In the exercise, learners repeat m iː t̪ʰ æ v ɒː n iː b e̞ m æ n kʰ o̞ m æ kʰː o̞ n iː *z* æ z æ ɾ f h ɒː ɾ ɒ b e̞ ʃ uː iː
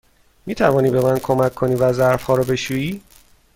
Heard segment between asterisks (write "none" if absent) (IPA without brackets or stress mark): v